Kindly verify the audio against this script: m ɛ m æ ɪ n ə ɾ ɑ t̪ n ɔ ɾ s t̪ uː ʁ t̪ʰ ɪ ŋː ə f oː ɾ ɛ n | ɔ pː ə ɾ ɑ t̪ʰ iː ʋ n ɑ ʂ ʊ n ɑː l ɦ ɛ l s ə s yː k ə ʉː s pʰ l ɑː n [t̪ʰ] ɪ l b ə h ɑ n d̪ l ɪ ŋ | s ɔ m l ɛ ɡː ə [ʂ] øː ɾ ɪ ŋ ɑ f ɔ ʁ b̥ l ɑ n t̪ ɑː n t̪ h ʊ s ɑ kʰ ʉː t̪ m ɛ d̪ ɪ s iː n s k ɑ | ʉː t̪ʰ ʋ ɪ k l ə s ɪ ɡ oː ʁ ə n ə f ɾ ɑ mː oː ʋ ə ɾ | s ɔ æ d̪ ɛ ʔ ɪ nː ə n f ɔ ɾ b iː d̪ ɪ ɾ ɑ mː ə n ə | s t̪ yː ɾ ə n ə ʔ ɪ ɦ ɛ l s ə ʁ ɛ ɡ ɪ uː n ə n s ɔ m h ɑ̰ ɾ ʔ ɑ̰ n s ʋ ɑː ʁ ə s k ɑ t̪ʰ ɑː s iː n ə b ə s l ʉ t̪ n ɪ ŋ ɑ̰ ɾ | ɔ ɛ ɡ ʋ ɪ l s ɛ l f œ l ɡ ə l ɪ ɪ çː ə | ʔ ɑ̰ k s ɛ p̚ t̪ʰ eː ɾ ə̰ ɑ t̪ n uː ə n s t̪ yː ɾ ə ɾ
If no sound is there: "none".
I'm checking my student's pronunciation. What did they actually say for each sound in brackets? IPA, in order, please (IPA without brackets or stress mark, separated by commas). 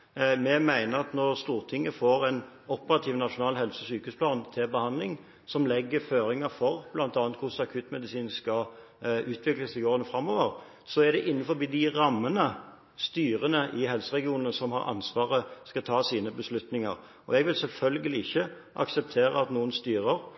t̪ʰ, f